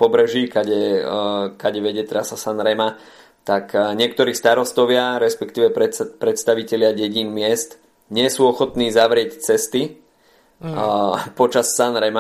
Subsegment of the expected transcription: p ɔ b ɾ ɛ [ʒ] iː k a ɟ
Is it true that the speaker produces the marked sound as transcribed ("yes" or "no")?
yes